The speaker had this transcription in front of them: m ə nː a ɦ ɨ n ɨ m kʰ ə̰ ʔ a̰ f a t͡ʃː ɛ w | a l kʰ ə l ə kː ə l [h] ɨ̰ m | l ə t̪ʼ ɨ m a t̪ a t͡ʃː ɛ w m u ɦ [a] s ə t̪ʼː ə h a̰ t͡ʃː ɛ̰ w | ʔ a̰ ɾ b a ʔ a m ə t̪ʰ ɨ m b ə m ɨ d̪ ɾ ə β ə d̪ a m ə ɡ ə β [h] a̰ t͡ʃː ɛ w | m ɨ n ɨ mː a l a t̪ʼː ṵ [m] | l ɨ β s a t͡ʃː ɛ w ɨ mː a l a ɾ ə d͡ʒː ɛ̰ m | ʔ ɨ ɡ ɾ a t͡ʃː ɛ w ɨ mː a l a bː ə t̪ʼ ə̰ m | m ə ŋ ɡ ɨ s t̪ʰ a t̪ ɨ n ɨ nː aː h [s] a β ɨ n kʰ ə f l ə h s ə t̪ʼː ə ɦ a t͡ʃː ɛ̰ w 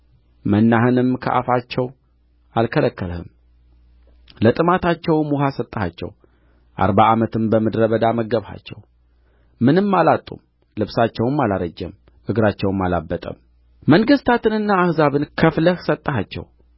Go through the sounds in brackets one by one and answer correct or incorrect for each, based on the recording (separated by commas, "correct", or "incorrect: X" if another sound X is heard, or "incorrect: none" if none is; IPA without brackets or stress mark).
correct, correct, correct, correct, incorrect: z